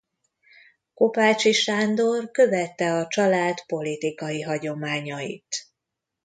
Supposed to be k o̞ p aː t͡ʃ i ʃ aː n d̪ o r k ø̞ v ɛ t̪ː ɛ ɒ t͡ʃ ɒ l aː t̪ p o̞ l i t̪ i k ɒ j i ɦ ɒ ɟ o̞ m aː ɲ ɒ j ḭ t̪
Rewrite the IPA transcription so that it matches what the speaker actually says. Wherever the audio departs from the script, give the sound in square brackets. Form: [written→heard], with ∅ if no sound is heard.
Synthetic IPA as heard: k o̞ p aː t͡ʃ i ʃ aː n d̪ o r k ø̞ v ɛ t̪ː ɛ ɒ t͡ʃ ɒ l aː t̪ p o̞ l i t̪ i k ɒ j i ɦ ɒ ɟ o̞ m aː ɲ ɒ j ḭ t̪